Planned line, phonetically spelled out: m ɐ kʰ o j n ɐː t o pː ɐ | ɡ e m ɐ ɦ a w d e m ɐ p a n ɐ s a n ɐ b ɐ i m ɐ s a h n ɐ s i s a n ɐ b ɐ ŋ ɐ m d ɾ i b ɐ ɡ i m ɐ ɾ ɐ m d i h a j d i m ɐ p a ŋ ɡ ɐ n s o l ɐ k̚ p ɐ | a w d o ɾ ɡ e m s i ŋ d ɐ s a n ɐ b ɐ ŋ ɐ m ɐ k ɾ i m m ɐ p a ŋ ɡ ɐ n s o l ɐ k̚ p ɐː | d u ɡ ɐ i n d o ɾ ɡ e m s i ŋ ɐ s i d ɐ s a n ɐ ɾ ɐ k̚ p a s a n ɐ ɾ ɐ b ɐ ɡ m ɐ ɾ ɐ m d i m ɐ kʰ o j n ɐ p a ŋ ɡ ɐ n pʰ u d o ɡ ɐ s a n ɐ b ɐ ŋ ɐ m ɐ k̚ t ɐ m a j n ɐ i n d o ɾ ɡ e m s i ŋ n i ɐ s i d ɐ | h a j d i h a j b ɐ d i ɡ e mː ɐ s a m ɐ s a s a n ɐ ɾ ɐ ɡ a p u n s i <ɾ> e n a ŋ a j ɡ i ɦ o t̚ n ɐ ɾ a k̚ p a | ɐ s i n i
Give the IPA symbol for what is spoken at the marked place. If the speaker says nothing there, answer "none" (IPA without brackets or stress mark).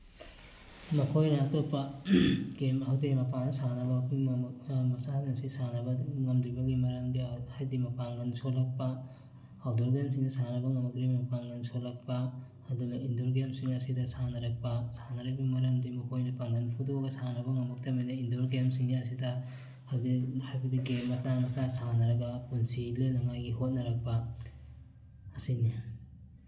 l